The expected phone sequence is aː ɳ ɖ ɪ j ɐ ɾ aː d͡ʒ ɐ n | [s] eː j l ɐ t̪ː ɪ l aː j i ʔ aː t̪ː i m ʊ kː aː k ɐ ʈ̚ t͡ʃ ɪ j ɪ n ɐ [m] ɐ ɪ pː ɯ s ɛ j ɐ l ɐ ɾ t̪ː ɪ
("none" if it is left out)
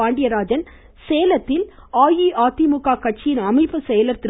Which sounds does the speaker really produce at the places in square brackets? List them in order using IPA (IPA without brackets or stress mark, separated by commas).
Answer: s, m